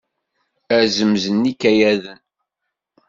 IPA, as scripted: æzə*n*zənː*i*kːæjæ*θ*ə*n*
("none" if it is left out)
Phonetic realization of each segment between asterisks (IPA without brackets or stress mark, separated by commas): m, i, ð, n